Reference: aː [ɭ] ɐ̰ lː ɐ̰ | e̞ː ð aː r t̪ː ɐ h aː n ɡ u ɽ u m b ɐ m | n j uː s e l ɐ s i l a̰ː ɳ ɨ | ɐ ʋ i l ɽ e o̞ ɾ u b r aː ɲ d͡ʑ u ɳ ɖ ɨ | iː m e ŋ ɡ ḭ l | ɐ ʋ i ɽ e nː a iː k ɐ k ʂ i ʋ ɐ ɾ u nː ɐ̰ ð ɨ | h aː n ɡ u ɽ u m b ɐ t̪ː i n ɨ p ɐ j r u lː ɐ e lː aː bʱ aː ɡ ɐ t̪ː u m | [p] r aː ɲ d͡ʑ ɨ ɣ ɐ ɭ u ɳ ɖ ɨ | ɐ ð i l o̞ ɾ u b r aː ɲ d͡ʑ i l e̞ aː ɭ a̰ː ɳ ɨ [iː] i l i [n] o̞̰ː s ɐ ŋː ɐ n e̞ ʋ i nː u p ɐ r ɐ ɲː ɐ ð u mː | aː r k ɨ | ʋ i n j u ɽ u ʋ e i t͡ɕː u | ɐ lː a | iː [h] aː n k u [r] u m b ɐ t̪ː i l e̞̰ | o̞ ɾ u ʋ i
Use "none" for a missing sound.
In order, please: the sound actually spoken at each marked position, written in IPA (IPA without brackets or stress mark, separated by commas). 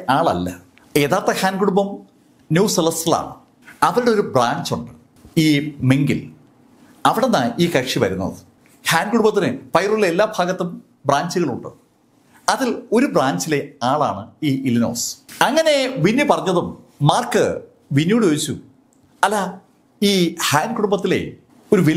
ɭ, b, iː, n, h, ɽ